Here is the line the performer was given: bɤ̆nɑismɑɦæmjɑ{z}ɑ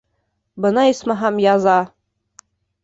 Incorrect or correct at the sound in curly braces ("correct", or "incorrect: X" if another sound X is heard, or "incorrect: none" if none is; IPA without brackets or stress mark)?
correct